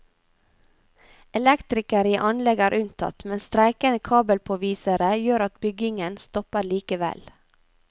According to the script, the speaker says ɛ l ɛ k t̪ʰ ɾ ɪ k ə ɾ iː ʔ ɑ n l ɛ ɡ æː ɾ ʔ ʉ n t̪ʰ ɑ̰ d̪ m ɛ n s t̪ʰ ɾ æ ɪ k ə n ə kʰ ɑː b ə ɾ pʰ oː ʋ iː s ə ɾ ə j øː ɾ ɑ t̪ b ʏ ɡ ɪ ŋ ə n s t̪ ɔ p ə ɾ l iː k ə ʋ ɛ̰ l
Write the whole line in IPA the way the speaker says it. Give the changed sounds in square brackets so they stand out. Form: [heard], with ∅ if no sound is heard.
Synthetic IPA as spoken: ɛ l ɛ k [t̪] ɾ ɪ k ə ɾ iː ʔ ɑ n l ɛ ɡ æː ɾ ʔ ʉ n t̪ʰ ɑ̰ [t̪] m ɛ n s [t̪] ɾ æ ɪ k ə n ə kʰ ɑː b ə [l] pʰ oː ʋ iː s ə ɾ ə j øː ɾ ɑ t̪ b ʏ ɡ ɪ ŋ ə n s t̪ ɔ p ə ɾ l iː k ə ʋ ɛ̰ l

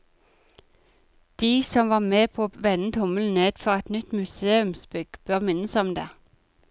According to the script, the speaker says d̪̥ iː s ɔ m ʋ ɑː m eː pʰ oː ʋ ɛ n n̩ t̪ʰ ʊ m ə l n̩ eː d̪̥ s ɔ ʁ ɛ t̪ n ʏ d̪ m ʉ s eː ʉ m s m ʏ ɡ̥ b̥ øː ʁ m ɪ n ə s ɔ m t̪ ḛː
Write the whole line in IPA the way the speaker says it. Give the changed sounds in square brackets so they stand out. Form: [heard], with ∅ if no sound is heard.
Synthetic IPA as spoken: d̪̥ iː s ɔ m ʋ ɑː m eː pʰ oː ʋ ɛ n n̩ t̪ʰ ʊ m ə l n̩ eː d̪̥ [f] ɔ ʁ ɛ t̪ n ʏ [t̪] m ʉ s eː ʉ m s [b] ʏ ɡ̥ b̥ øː ʁ m ɪ n ə s ɔ m [d̪] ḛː

